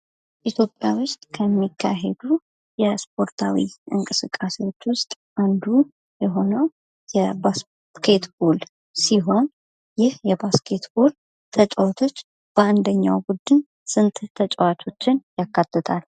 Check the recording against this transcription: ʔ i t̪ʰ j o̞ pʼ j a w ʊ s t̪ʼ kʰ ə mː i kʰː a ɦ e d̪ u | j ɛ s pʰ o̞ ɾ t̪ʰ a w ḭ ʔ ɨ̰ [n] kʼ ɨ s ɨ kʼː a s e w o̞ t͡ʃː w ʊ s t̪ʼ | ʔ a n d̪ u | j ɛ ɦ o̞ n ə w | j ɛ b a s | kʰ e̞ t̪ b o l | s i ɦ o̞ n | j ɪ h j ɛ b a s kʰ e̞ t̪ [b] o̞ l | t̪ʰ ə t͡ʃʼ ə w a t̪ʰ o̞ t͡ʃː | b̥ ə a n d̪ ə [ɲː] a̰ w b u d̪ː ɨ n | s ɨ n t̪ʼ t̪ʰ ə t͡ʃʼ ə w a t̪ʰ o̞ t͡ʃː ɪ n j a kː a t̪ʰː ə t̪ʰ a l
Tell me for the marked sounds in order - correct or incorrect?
incorrect: ŋ, correct, correct

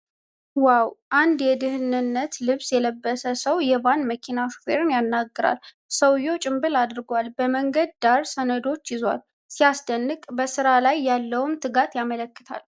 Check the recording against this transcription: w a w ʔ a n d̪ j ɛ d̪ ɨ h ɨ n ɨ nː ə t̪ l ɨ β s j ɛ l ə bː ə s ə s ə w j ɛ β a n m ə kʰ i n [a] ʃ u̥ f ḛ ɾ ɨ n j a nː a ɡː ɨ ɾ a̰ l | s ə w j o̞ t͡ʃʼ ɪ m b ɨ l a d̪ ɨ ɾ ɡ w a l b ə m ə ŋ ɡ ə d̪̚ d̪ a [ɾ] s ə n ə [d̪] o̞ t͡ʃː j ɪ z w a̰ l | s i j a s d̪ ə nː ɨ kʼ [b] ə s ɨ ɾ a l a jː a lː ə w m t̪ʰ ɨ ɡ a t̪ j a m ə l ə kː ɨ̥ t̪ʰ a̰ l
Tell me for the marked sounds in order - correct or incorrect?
correct, correct, correct, correct

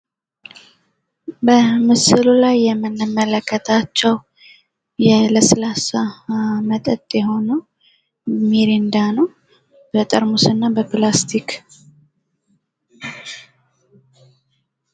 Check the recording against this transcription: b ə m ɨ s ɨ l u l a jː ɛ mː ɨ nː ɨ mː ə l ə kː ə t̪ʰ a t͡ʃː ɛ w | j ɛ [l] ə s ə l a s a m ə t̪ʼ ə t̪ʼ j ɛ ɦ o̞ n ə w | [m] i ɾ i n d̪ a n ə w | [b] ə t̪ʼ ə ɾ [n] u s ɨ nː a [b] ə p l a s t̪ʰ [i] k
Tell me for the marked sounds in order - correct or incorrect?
correct, correct, correct, incorrect: m, correct, correct

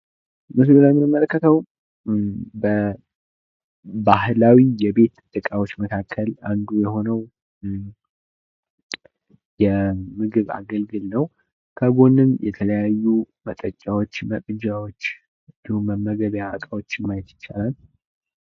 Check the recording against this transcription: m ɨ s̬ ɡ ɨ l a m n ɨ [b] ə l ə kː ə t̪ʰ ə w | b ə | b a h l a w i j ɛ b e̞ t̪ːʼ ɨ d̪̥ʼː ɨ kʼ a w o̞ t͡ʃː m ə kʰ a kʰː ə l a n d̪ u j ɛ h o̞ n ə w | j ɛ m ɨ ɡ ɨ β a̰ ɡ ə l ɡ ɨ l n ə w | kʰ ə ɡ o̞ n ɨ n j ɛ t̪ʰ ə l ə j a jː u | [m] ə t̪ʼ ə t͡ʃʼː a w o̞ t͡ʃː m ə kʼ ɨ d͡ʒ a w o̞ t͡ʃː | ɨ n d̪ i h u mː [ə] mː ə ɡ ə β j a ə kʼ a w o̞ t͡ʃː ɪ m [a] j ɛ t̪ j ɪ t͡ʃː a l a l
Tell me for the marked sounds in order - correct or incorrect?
incorrect: m, correct, correct, correct

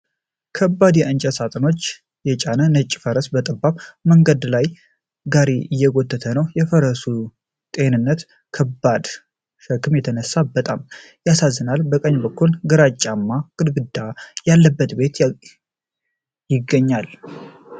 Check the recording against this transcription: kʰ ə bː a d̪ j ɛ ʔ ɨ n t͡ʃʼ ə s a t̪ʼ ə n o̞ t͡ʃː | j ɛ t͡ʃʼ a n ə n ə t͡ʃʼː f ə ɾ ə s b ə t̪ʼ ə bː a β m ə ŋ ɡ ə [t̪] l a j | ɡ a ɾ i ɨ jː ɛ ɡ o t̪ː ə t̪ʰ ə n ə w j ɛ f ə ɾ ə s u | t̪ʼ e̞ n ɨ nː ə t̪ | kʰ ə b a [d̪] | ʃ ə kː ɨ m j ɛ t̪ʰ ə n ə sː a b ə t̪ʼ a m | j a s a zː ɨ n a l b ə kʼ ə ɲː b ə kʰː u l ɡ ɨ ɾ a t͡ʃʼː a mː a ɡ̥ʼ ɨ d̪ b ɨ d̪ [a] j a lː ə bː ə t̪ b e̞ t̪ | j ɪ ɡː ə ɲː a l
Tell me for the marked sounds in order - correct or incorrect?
incorrect: d̪, correct, correct

